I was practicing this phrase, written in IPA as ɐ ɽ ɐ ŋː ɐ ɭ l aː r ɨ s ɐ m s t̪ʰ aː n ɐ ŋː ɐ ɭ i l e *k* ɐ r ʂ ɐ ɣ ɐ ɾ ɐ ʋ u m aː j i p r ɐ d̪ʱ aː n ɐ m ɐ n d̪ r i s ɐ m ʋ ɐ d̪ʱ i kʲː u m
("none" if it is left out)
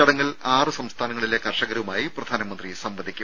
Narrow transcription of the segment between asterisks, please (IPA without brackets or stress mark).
k